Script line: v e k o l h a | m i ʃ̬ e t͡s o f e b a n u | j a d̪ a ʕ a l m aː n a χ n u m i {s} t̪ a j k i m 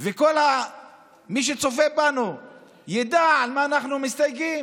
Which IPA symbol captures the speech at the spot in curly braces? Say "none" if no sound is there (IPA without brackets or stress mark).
s